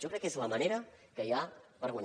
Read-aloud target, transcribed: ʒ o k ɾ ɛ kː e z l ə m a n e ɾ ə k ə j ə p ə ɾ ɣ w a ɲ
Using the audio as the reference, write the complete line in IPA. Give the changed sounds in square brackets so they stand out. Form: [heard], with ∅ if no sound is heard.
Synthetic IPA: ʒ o k ɾ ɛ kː e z l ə m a n e ɾ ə k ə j [a] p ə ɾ ɣ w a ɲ